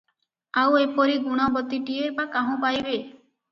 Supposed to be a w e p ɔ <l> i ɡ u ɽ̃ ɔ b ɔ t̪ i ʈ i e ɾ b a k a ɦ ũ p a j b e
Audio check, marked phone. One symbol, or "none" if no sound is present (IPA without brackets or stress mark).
ɾ